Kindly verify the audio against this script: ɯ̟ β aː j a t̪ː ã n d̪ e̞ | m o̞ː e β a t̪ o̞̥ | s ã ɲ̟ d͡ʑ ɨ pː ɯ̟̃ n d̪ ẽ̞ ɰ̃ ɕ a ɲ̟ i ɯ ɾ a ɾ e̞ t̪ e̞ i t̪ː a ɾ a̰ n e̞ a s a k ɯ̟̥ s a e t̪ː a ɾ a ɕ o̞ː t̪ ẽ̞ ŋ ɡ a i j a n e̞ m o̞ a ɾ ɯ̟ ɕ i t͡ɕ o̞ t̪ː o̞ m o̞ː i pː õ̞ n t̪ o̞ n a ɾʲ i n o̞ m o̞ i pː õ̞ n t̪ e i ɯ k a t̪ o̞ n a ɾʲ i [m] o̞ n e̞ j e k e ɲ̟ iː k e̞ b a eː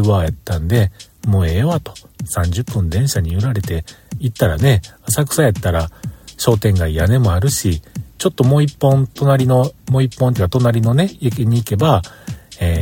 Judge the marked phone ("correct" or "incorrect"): incorrect